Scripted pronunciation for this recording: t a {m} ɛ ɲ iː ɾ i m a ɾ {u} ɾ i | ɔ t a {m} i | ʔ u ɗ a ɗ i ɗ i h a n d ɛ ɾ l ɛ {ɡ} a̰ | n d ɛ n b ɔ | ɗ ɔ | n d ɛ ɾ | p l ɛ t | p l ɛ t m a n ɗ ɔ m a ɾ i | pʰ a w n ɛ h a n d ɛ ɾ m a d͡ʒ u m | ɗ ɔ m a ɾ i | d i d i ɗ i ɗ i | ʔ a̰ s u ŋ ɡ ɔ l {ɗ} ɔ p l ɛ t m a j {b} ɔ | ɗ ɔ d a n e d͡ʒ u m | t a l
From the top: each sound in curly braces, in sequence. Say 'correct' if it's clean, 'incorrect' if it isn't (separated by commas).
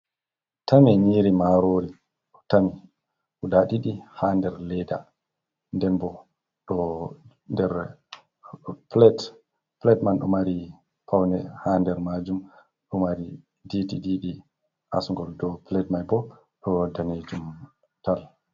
correct, incorrect, correct, incorrect, incorrect, correct